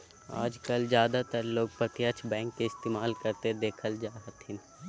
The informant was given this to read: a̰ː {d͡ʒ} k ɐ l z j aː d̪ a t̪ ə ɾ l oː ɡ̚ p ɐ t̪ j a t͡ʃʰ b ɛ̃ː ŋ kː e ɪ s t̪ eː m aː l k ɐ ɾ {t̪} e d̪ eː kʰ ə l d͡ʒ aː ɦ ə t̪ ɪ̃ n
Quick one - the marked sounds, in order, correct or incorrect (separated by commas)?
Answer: correct, correct